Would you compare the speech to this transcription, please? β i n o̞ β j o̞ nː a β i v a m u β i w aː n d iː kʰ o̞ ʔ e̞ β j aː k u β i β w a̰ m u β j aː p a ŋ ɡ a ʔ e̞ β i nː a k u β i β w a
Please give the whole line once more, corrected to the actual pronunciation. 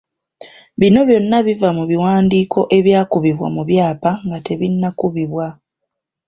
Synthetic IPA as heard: β i n o̞ β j o̞ nː a β i v a m u β i w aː n d iː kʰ o̞ ʔ e̞ β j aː k u β i β w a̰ m u β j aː p a ŋ ɡ a t e̞ β i nː a k u β i β w a